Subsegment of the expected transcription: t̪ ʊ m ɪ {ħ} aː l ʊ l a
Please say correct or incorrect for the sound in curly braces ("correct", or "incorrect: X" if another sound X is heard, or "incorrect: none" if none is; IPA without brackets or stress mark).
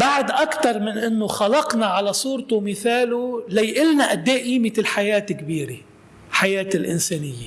incorrect: θ